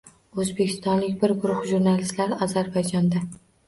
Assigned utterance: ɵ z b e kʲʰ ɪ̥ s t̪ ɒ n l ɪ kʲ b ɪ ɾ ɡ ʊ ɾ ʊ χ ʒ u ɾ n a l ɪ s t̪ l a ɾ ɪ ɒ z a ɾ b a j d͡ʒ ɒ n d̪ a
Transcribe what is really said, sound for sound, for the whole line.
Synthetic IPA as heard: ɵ z b e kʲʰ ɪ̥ s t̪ ɒ n l ɪ kʲ b ɪ ɾ ɡ ʊ ɾ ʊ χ ʒ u ɾ n a l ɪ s t̪ l a ɾ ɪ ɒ z a ɾ b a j d͡ʒ ɒ n d̪ a